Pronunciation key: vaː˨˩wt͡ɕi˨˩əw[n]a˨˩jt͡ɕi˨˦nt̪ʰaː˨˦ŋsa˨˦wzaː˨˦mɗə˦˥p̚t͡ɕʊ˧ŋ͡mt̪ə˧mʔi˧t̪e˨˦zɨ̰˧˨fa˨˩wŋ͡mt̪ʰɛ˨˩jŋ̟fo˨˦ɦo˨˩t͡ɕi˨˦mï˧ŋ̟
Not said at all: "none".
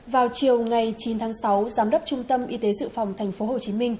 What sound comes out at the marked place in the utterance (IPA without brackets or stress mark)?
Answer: ŋ